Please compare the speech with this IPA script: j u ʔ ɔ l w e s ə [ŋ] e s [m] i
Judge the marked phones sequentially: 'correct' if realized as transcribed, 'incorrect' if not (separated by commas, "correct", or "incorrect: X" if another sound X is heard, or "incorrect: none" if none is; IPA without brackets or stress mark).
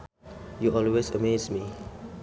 incorrect: m, correct